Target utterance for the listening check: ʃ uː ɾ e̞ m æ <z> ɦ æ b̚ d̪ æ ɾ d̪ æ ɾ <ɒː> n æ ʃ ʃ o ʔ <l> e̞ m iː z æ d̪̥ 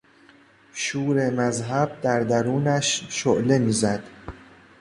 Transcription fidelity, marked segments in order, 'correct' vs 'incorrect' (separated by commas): correct, incorrect, correct